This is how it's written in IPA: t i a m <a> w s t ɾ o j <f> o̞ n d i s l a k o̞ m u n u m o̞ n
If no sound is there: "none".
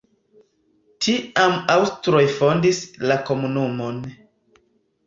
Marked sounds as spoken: a, f

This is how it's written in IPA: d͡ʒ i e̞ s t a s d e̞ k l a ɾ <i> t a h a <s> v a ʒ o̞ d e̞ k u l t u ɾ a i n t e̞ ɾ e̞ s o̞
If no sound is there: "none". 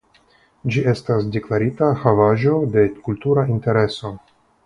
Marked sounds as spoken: i, none

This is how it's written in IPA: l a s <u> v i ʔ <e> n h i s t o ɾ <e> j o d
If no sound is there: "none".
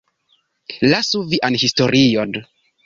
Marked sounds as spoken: u, a, i

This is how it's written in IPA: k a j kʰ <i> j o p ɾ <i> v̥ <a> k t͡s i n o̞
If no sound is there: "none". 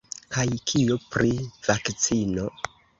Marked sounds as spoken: i, i, a

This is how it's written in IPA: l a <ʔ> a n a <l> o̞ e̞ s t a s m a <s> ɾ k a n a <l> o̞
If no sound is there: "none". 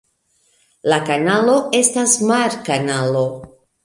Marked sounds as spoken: k, l, none, l

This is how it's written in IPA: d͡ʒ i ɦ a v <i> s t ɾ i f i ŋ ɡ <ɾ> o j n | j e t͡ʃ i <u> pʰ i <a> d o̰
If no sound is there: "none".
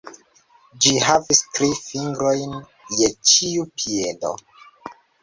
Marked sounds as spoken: i, ɾ, u, e

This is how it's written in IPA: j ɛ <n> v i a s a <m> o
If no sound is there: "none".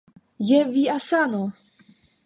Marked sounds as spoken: none, n

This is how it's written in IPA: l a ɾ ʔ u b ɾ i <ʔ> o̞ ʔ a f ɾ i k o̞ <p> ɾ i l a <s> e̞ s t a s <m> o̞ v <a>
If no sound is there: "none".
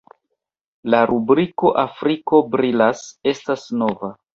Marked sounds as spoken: k, b, s, n, a

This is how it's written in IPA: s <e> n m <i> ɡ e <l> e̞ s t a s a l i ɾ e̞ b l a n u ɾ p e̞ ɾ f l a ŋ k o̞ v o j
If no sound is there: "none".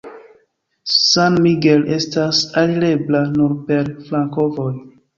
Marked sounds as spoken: a, i, l

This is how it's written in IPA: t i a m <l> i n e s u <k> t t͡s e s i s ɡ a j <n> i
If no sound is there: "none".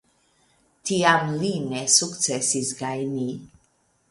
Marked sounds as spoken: l, k, n

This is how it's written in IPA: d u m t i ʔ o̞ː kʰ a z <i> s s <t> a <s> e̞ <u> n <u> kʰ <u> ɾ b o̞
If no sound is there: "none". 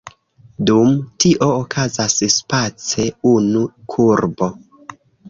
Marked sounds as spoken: a, p, t͡s, u, u, u

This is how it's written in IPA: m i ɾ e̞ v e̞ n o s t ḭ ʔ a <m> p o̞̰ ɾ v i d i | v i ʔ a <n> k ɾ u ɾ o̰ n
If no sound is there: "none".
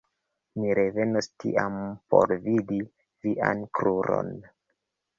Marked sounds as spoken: m, n

